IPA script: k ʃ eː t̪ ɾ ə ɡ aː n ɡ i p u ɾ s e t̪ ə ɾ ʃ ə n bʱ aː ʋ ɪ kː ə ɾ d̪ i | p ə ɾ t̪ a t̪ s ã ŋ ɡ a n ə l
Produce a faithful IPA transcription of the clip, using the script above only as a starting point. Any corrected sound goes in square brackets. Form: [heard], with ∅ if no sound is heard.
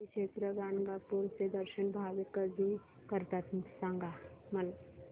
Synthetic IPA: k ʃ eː t̪ ɾ ə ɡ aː n ɡ [a] p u ɾ s e [d̪] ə ɾ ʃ ə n bʱ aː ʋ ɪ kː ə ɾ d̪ i | [k] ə ɾ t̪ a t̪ s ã ŋ ɡ a [m] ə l

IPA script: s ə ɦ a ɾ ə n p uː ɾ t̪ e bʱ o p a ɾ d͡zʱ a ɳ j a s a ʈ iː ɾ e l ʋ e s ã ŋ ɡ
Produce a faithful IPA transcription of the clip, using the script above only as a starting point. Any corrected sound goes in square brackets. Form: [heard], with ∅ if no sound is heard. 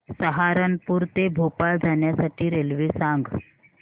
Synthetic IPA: s ə ɦ a ɾ ə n p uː ɾ t̪ e bʱ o p a [l] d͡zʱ a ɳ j a s a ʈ iː ɾ e l ʋ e s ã ŋ ɡ

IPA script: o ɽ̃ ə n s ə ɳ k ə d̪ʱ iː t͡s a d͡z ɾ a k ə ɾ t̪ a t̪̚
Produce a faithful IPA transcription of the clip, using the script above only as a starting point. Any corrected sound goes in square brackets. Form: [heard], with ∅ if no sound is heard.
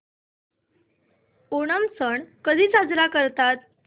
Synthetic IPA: o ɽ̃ ə [m] s ə ɳ k ə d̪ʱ iː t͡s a d͡z ɾ a k ə ɾ t̪ a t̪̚

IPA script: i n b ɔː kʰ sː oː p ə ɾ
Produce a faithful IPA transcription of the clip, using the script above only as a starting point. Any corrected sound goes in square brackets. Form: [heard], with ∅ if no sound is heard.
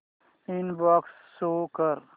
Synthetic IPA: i n b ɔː [k] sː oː [k] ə ɾ

